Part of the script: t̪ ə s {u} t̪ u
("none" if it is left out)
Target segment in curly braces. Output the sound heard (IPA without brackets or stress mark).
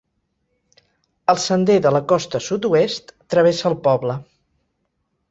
u